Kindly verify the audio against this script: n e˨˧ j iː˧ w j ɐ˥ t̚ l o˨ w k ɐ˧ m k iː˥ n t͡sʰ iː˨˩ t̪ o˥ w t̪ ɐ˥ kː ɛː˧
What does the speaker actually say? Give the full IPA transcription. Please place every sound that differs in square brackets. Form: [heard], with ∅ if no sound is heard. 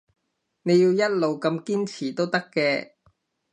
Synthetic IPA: n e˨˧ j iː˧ w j ɐ˥ t̚ l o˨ w k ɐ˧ m k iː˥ n t͡sʰ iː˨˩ t̪ o˥ w t̪ ɐ˥ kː ɛː˧